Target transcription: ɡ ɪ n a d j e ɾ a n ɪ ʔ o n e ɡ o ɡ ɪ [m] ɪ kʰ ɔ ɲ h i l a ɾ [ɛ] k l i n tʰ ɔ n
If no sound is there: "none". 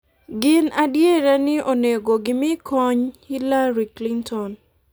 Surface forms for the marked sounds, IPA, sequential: m, i

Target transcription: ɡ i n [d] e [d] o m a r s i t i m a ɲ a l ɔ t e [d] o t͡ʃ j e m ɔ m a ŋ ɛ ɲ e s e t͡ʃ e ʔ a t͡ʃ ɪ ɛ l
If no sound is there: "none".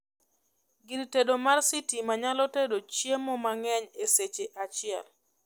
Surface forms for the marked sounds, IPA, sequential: t, d, d

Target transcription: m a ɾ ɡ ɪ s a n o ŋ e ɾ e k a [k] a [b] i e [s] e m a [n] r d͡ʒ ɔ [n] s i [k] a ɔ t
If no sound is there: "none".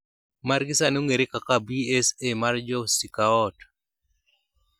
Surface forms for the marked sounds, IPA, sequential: k, b, s, none, none, k

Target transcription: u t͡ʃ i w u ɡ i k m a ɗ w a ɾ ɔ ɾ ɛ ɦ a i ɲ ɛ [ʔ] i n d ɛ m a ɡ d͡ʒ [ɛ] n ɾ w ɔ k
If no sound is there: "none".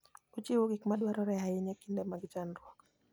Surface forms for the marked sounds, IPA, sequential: k, a

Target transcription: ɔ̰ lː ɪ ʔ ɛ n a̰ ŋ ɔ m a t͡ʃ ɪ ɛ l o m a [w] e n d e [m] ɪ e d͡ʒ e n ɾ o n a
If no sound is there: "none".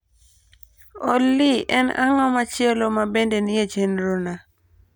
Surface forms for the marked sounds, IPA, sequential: b, n

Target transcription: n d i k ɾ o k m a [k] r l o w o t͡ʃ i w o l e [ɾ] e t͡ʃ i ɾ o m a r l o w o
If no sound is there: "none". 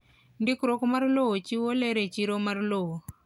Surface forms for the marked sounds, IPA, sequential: none, ɾ

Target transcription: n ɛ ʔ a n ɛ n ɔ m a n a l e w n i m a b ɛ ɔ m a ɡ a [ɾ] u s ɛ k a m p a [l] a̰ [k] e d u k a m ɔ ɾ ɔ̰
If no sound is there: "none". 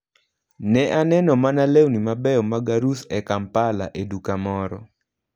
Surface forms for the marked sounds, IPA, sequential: ɾ, l, ʔ

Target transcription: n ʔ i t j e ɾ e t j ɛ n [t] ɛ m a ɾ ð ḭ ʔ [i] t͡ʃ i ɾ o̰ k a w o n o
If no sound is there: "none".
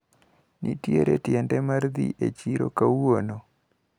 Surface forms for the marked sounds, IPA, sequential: d, e

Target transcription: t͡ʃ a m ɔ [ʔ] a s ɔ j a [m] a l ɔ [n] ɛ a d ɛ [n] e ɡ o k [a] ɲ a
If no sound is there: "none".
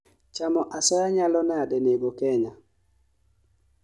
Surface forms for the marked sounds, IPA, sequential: ʔ, ɲ, n, n, ɛ

